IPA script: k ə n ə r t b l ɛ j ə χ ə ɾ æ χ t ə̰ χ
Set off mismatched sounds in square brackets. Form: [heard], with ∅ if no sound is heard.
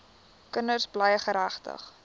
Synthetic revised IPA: k ə n ə r [s] b l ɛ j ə χ ə ɾ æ χ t ə̰ χ